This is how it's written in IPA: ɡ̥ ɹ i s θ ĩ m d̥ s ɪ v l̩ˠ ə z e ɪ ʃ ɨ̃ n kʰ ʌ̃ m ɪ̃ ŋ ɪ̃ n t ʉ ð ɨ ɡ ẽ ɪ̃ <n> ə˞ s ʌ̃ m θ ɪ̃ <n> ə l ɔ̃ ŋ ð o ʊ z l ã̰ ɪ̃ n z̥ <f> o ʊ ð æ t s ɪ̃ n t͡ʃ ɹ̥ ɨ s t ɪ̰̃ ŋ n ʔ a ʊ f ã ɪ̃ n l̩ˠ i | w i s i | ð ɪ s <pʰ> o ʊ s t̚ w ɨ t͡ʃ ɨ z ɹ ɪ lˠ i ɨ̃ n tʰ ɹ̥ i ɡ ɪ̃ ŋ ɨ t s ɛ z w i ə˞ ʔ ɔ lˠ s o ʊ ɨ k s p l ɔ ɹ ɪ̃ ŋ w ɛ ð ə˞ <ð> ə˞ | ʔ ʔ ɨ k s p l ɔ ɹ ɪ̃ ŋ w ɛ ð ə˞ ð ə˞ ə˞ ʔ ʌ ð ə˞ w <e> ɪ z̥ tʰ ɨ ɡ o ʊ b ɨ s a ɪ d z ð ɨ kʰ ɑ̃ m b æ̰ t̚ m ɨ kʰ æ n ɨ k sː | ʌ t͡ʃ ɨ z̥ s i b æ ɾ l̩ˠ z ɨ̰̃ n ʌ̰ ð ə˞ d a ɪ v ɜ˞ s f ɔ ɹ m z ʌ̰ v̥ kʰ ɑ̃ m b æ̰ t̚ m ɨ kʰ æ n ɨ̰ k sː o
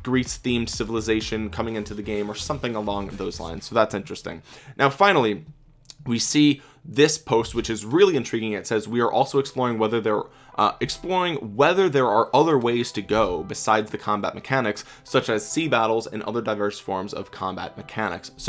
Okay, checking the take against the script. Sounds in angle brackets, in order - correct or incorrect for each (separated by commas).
incorrect, incorrect, incorrect, correct, correct, correct